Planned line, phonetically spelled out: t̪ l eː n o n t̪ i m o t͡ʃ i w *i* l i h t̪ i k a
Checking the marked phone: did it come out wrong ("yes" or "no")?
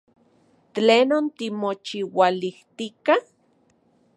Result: yes